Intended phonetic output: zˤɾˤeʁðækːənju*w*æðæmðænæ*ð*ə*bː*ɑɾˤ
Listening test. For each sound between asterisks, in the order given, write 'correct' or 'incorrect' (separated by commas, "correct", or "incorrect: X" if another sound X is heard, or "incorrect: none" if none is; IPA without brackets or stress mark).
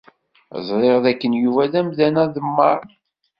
incorrect: v, correct, incorrect: mː